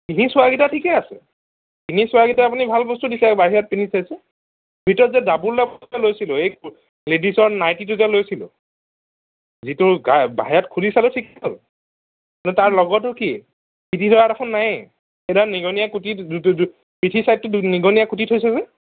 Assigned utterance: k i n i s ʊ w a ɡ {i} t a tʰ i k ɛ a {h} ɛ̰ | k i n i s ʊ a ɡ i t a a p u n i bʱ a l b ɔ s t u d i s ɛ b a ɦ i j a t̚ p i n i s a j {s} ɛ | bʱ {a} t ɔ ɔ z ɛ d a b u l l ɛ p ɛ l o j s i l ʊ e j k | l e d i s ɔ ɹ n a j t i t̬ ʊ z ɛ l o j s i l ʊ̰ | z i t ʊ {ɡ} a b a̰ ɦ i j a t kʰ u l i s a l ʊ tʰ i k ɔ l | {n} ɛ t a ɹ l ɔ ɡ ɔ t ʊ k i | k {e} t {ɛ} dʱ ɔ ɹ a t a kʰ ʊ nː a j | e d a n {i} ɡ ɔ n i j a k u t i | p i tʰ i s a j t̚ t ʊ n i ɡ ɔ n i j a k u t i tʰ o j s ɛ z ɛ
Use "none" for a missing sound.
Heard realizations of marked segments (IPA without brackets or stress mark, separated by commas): i, s, s, i, ɡ, n, i, i, i